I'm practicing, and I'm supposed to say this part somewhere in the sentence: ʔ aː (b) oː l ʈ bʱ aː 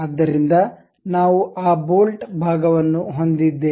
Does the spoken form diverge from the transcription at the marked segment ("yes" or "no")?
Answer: no